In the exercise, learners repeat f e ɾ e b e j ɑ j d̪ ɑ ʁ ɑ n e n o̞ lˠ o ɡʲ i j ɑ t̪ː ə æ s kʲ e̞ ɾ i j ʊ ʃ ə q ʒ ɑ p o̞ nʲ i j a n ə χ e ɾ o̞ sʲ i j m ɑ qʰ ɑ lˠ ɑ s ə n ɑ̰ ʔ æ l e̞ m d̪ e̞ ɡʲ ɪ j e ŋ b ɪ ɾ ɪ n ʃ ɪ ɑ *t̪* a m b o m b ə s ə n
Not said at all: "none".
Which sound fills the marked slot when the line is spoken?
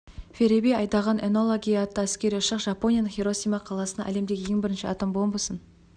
t̪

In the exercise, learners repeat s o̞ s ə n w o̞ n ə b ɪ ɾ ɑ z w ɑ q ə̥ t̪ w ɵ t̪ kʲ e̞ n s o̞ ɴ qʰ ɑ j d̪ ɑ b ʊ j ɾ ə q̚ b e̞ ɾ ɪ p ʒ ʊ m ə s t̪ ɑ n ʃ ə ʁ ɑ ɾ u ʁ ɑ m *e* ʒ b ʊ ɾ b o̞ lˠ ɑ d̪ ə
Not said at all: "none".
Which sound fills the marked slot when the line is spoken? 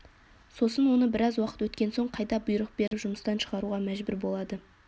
æ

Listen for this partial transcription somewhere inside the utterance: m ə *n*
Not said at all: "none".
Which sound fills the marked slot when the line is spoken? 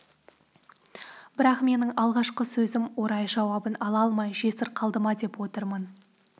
n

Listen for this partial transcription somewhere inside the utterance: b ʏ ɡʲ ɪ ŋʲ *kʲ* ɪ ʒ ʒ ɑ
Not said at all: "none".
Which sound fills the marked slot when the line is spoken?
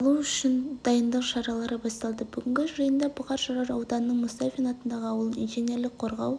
ɡʲ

